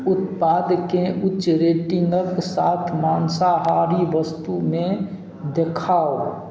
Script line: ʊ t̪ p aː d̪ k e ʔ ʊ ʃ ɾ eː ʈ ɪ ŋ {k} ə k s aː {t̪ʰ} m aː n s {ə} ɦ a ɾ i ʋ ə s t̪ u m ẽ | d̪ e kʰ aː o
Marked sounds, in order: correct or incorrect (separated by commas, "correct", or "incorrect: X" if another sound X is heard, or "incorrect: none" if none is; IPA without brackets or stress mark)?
incorrect: ɡ, correct, incorrect: a